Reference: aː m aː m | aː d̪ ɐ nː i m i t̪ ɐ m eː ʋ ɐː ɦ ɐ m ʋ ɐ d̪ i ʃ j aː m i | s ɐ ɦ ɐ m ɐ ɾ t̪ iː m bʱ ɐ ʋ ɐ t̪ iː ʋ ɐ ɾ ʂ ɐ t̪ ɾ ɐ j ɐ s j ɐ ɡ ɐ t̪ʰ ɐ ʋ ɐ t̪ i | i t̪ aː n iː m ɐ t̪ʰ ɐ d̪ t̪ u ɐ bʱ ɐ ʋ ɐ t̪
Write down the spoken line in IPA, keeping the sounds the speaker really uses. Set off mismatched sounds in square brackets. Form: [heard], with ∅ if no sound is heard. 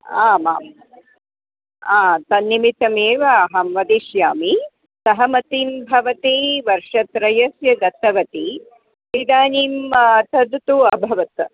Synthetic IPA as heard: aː m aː m | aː [t̪] ɐ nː i m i t̪ ɐ m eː ʋ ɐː ɦ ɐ m ʋ ɐ d̪ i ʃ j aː m i | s ɐ ɦ ɐ m ɐ [∅] t̪ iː m bʱ ɐ ʋ ɐ t̪ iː ʋ ɐ ɾ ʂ ɐ t̪ ɾ ɐ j ɐ s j ɐ ɡ ɐ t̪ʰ ɐ ʋ ɐ t̪ i | i [d̪] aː n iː m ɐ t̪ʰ ɐ d̪ t̪ u ɐ bʱ ɐ ʋ ɐ t̪